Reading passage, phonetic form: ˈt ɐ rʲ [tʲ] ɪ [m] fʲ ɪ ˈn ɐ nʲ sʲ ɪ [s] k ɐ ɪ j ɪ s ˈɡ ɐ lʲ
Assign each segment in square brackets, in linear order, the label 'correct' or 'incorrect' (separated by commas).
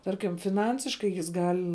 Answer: incorrect, correct, incorrect